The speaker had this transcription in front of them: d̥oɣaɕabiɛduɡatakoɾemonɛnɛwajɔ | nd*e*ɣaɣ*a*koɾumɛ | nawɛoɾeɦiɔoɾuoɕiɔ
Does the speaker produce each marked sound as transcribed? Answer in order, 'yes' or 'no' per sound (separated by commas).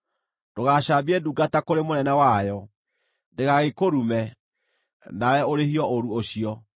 yes, no